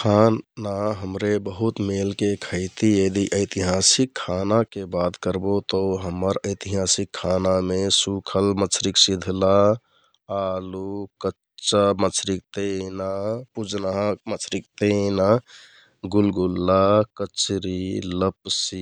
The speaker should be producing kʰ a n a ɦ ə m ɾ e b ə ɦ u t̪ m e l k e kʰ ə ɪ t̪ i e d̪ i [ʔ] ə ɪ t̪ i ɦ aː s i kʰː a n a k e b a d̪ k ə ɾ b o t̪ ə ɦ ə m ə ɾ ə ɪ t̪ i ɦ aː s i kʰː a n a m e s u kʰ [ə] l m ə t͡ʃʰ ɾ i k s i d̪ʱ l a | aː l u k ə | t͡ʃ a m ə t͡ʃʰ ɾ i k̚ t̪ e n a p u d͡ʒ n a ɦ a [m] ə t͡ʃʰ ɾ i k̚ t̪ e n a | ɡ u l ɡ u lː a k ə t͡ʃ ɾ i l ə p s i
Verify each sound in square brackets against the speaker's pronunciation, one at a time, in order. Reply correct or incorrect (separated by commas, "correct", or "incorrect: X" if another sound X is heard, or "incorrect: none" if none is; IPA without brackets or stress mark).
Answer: correct, correct, correct